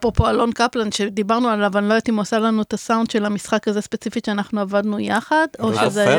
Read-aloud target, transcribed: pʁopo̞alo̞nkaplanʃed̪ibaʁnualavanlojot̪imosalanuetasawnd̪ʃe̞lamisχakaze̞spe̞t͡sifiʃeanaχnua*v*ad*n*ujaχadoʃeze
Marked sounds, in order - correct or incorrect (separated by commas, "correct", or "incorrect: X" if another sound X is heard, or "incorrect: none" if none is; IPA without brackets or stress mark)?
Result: correct, correct